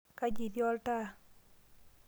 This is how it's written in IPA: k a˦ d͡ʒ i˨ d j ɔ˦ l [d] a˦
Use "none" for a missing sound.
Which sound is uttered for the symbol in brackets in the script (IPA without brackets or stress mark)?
t